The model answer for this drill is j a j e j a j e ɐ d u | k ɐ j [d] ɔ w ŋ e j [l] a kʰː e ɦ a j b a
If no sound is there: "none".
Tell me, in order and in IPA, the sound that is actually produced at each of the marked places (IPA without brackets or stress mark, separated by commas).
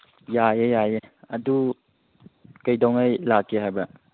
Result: d, l